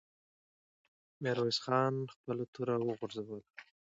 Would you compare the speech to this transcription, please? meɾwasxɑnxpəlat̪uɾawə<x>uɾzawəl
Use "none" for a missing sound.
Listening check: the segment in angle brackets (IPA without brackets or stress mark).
ɣ